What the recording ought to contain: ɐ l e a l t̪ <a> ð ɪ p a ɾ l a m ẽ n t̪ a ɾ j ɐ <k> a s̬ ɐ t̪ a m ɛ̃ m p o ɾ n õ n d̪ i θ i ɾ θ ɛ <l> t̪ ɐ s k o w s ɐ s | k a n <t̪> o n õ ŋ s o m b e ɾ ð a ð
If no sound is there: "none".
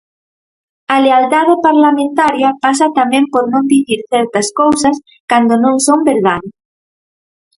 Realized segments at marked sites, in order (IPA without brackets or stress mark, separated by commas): a, p, ɾ, d̪